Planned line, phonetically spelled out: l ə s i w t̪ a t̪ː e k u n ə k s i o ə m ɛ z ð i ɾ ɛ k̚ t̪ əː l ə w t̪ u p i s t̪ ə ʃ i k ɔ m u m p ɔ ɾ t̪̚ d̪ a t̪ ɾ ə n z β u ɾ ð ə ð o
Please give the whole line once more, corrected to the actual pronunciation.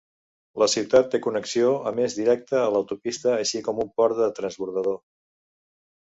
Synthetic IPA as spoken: l ə s i w t̪ a t̪ː e k u n ə k s i o ə m e z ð i ɾ ɛ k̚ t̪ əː l ə w t̪ u p i s t̪ əː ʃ i k ɔ m u m p ɔ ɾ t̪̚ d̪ ə t̪ ɾ ə n z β u ɾ ð ə ð o